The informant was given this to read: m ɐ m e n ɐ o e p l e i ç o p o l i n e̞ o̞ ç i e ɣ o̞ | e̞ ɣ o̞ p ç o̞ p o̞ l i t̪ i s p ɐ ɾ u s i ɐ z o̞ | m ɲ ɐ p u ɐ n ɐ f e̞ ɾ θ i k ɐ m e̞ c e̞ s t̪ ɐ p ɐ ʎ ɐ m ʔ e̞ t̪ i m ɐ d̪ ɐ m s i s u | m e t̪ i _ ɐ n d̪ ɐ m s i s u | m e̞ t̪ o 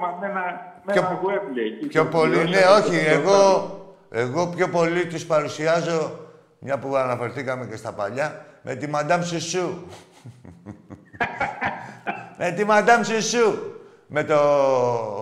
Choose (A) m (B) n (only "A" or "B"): A